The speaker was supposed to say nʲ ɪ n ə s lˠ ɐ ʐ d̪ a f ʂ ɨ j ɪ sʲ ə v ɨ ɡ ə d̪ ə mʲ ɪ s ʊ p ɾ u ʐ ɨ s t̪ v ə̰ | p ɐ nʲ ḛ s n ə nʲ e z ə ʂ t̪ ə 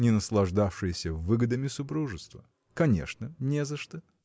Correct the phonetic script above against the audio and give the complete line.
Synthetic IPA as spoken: nʲ ɪ n ə s lˠ ɐ ʐ d̪ a f ʂ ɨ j ɪ sʲ ə v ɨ ɡ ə d̪ ə mʲ ɪ s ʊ p ɾ u ʐ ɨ s t̪ v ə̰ | k ɐ nʲ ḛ ʂ n ə nʲ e z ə ʂ t̪ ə